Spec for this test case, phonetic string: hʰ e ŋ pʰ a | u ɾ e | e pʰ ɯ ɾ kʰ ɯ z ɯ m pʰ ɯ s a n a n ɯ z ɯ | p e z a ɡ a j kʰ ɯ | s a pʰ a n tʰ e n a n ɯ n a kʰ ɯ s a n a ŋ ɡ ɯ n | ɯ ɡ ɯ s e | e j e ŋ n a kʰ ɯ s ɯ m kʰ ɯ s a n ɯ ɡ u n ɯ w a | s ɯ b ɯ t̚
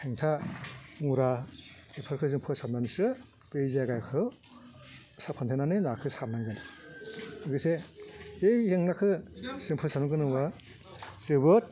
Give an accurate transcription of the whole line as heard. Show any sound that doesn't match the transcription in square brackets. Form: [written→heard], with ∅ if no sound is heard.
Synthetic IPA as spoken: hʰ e ŋ [pʰ→tʰ] a | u ɾ [e→a] | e pʰ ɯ ɾ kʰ ɯ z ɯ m pʰ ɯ s a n a n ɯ [z→s] ɯ | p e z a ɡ a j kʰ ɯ | s a pʰ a n tʰ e n a n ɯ n a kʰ ɯ s a n a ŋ ɡ ɯ n | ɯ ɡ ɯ s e | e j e ŋ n a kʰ ɯ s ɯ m [kʰ→pʰ] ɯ s a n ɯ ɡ [u→ɯ] n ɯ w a | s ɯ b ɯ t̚